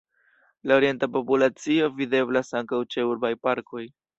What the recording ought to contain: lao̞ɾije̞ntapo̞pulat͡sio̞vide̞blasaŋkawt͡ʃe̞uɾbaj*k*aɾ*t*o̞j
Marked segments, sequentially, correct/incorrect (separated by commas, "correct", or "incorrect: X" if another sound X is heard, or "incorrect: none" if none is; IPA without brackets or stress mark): incorrect: p, incorrect: k